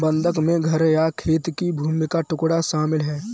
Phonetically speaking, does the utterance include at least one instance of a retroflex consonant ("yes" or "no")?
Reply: yes